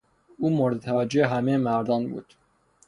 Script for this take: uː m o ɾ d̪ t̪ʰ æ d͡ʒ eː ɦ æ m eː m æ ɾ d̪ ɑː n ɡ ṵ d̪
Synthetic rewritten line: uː m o ɾ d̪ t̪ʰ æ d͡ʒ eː ɦ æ m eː m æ ɾ d̪ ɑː n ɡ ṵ t̪